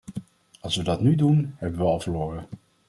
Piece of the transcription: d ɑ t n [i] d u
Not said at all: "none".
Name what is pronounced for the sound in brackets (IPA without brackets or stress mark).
y